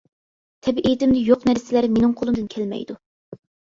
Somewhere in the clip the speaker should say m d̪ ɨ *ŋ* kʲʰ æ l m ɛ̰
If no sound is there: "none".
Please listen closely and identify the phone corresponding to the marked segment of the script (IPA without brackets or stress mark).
n